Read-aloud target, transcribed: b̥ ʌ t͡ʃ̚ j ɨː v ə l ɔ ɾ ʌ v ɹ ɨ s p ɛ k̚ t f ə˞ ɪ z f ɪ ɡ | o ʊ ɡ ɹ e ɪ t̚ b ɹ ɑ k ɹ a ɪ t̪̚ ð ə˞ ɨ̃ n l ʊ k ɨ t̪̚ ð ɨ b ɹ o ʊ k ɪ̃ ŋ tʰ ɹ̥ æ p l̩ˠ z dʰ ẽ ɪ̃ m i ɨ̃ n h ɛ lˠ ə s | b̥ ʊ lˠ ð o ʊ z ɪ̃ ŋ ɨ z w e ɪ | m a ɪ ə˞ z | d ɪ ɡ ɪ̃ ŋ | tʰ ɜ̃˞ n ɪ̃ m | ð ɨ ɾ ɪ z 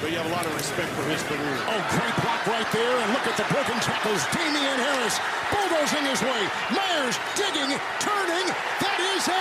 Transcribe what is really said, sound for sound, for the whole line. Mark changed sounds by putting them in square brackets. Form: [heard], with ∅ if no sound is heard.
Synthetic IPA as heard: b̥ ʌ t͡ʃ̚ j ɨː v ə l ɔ ɾ ʌ v ɹ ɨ s p ɛ k̚ t f ə˞ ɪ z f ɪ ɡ | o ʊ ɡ ɹ e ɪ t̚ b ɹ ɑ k ɹ a ɪ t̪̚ ð ə˞ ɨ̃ n l ʊ k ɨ t̪̚ ð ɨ b ɹ o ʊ k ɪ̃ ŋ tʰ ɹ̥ æ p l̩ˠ z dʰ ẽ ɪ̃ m i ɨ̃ n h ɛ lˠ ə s | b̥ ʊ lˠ ð o ʊ z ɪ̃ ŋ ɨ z w e ɪ | m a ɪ ə˞ z | d ɪ ɡ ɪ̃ ŋ | tʰ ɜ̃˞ n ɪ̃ [ŋ] | ð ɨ ɾ ɪ z